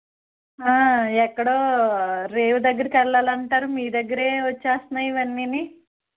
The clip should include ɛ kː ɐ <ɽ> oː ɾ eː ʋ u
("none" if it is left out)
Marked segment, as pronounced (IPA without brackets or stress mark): ɽ